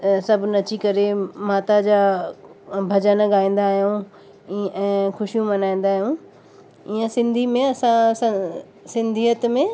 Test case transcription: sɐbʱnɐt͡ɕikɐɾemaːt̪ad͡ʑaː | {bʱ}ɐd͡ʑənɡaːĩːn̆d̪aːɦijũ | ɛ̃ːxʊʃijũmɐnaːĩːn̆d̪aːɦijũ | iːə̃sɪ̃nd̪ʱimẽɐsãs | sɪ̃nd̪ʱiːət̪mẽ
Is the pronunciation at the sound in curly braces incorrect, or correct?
correct